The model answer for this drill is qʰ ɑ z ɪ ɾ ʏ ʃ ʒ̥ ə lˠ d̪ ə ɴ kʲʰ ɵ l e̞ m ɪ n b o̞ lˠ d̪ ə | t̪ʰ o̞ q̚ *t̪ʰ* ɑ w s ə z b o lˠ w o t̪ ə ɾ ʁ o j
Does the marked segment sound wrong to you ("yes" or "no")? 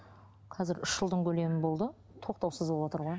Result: yes